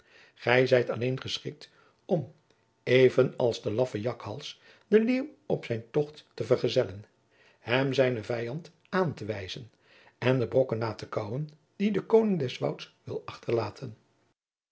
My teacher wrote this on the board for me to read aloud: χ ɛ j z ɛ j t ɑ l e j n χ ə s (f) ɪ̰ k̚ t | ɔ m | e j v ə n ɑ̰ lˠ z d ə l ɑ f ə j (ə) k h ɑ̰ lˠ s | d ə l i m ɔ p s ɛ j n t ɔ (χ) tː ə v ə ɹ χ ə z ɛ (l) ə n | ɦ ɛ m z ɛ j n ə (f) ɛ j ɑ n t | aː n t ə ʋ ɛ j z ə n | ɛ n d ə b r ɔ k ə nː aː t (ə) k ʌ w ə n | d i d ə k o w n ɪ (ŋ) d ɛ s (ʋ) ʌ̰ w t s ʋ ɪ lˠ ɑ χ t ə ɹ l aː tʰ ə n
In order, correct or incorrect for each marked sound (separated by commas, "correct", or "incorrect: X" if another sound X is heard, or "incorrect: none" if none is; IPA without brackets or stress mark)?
incorrect: χ, incorrect: ɑ, correct, correct, incorrect: v, correct, correct, correct